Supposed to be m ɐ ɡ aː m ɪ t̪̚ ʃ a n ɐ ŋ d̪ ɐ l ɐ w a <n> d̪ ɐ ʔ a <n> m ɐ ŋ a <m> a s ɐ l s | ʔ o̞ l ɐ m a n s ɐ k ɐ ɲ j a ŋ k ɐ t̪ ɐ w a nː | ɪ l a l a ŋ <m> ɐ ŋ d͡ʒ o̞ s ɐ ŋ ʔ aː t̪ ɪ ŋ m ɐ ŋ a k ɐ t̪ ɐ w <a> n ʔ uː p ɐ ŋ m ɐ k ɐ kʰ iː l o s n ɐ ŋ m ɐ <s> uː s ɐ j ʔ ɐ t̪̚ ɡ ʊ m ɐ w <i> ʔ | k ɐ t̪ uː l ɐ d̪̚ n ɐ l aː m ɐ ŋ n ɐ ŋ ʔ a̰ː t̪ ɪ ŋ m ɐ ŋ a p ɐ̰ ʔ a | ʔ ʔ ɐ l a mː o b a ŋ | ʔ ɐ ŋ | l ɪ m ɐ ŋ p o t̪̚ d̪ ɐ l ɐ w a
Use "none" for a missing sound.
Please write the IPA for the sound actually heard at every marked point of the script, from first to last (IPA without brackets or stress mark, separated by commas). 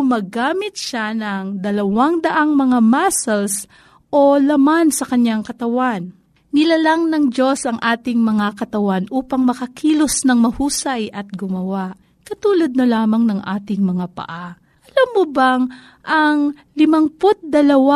ŋ, ŋ, m, n, a, h, a